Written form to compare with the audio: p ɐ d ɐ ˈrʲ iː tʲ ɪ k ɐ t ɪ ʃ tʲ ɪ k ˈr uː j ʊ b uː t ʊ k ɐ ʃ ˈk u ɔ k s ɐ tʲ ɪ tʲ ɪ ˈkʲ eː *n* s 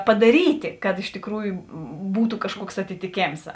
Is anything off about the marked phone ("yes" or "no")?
yes